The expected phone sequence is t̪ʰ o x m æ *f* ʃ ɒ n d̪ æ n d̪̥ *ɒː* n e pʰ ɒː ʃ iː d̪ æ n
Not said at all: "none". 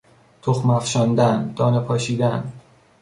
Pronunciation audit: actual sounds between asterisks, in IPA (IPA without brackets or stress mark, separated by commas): f, ɒː